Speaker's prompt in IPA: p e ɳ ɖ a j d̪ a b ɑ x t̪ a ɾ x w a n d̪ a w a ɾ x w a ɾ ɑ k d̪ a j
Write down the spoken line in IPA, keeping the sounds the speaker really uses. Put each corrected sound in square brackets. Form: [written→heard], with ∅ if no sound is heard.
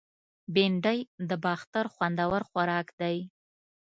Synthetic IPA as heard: [p→b] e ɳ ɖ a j d̪ [a→ə] b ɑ x t̪ a ɾ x w a n d̪ a w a ɾ x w a ɾ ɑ k d̪ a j